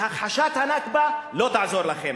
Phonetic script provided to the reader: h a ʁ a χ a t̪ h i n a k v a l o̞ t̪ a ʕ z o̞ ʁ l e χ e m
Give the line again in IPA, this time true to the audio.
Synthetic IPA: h a χ a ʃ a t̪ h a n a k b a l o̞ t̪ a ʕ z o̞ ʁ l a χ e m

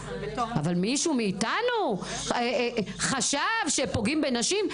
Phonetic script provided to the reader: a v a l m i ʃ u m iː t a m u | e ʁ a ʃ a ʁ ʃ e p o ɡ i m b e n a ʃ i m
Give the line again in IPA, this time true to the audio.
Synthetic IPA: a v a l m i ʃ u m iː t a n u | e χ a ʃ a v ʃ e p o ɡ i m b e n a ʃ i m

